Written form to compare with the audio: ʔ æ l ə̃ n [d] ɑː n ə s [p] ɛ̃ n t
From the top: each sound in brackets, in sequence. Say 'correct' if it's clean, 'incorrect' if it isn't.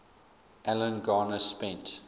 incorrect: ɡ, correct

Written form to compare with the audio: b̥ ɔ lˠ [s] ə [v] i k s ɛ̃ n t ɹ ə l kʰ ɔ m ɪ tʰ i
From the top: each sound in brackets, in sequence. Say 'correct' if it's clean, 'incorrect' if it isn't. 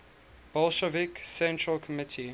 incorrect: ʃ, correct

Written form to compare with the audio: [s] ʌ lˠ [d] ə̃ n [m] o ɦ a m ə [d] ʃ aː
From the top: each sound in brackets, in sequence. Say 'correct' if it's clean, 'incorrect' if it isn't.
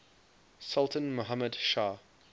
correct, incorrect: t, correct, correct

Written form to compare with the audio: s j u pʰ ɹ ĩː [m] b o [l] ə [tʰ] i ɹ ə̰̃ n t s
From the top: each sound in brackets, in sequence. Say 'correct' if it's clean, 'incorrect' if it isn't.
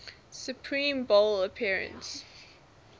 correct, correct, incorrect: pʰ

